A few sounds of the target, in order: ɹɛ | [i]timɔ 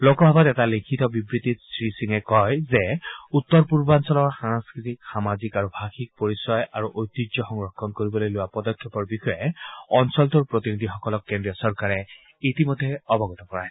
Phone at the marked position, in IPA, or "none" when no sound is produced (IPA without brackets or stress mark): i